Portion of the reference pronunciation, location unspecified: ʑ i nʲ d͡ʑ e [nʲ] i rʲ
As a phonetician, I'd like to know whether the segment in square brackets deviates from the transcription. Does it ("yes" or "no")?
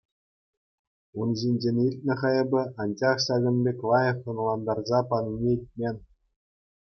no